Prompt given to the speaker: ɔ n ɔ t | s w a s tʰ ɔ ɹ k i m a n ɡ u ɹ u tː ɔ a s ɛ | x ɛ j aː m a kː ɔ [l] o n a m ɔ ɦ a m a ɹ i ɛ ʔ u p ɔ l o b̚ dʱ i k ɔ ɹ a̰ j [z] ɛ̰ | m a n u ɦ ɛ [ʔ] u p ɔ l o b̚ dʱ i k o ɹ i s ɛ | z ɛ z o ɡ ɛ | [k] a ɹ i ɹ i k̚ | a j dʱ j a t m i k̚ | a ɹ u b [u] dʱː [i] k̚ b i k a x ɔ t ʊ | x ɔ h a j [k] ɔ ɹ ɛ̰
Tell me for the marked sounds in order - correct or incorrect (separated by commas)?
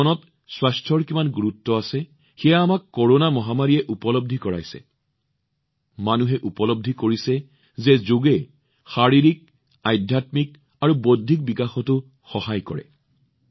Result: incorrect, incorrect, correct, incorrect, incorrect, correct, correct